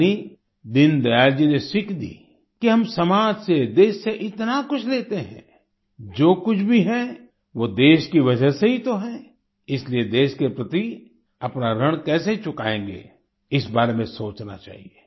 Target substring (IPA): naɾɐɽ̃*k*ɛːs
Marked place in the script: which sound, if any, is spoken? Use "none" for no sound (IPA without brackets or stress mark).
k